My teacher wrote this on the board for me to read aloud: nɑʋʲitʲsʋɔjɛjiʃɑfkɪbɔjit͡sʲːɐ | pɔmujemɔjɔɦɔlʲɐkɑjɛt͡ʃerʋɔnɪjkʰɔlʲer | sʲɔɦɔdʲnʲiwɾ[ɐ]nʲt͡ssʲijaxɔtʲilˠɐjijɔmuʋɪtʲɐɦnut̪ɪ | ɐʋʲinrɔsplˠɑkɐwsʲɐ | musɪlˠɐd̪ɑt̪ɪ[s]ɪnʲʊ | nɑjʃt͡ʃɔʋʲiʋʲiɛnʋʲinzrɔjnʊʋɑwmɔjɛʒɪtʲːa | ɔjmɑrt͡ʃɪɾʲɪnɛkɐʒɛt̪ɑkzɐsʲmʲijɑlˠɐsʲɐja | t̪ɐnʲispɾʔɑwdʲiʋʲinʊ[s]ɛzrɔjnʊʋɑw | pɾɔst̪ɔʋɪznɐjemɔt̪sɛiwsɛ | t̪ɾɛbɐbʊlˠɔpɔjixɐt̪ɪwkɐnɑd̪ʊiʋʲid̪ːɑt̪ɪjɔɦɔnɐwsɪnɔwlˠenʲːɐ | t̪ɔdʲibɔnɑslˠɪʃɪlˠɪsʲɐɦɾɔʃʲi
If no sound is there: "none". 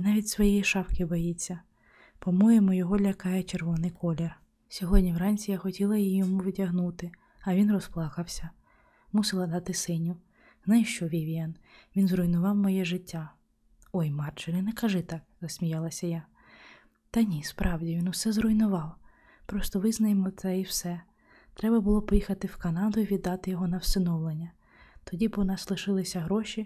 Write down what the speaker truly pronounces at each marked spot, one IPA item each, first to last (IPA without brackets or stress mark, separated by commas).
ɑ, s, s